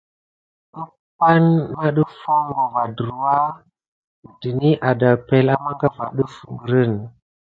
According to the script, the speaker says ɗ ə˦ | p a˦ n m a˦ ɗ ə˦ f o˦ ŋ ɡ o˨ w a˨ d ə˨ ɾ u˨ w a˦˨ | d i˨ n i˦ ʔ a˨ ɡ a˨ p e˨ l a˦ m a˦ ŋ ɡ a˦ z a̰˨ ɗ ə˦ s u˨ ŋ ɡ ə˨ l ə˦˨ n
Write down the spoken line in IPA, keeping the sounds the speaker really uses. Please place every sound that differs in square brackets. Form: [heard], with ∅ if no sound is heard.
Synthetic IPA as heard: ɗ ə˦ | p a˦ n m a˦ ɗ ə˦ f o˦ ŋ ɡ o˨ [v] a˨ d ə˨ ɾ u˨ w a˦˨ | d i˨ n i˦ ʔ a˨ [d] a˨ p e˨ l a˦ m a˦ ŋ ɡ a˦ [v] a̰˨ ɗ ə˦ [f] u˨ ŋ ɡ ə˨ [ɾ] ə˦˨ n